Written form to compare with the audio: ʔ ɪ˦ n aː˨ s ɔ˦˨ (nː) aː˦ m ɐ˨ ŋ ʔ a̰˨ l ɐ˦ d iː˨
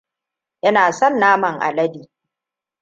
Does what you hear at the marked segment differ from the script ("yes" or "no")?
no